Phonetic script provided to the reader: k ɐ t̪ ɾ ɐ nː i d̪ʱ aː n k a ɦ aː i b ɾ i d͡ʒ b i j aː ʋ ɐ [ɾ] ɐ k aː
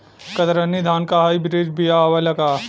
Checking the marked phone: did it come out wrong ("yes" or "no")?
yes